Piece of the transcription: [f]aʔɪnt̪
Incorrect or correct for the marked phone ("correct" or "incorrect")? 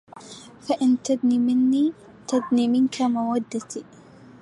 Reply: correct